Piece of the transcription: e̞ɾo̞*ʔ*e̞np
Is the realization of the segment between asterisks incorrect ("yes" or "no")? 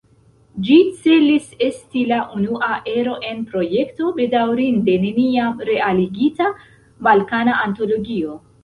no